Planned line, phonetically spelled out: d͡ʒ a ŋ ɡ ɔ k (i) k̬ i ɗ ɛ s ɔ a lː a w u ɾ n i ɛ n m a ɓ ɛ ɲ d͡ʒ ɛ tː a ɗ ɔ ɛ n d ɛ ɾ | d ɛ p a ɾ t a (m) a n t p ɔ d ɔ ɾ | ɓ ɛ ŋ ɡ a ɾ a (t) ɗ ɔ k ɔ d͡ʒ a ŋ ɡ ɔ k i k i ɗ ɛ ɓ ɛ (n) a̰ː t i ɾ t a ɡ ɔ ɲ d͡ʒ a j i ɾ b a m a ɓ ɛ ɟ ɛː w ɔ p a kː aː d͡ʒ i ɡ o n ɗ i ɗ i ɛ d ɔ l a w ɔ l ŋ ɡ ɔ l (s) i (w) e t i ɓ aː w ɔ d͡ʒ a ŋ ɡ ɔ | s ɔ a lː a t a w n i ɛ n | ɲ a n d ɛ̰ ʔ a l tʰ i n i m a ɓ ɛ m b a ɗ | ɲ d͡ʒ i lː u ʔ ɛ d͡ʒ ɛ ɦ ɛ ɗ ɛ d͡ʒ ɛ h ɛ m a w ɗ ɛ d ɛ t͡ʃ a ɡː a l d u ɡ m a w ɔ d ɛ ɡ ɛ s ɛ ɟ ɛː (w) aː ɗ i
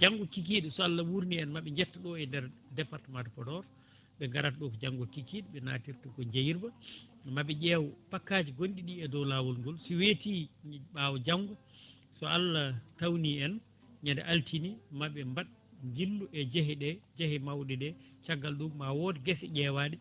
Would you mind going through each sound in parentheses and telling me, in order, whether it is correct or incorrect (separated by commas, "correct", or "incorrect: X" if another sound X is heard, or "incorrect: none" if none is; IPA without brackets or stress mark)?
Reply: correct, correct, correct, correct, correct, correct, correct